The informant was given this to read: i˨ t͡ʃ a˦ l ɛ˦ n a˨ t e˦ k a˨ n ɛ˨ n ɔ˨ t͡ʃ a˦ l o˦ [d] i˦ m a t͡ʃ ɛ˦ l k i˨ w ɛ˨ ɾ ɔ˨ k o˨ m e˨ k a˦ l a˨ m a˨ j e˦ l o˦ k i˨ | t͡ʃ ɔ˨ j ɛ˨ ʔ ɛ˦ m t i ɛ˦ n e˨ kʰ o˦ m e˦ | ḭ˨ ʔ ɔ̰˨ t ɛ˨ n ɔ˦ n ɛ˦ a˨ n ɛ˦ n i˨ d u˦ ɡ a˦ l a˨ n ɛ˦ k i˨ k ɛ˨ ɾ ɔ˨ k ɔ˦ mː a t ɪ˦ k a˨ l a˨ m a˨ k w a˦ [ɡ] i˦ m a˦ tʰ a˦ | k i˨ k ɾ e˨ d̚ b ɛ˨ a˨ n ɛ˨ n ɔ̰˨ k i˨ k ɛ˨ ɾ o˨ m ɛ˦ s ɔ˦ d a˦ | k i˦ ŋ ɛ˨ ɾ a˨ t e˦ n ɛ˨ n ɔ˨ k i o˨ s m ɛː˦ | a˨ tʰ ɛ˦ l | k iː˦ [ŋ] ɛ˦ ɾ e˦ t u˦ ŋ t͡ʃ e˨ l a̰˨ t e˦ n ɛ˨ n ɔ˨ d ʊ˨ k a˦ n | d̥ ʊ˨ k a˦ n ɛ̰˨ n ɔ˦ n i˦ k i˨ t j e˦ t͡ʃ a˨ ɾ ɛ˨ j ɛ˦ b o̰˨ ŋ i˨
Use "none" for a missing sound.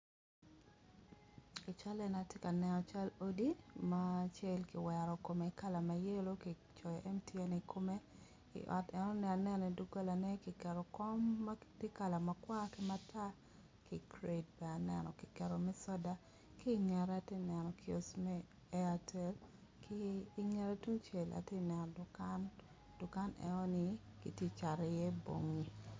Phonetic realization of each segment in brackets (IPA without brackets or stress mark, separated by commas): d, k, ŋ